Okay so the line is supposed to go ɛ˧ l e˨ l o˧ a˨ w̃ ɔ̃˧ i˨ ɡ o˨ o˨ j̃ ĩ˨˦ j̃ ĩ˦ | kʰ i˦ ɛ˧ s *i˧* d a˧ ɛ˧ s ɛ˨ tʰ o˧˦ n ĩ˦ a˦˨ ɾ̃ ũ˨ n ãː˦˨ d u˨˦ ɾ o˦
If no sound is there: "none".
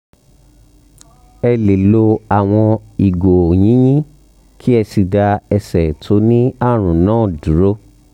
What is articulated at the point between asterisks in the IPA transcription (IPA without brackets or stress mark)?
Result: i˧